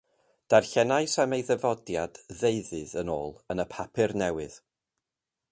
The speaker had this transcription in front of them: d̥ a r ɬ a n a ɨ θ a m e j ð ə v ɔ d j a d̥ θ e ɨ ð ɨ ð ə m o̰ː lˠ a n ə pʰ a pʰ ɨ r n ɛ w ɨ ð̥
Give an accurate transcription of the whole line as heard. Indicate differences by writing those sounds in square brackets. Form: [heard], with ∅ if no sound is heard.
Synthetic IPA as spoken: d̥ a r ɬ [ɛ] n a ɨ [s] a m e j ð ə v ɔ d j a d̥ [ð] e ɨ ð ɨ ð ə [n] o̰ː lˠ [ə] n ə pʰ a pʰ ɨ r n ɛ w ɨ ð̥